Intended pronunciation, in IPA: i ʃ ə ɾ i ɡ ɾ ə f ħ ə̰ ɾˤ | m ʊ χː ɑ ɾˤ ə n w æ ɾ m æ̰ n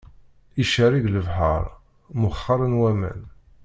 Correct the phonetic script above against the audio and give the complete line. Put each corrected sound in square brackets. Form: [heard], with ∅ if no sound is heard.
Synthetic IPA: i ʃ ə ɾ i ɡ [l] ə [v] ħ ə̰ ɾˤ | m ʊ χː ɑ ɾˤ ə n w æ [∅] m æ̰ n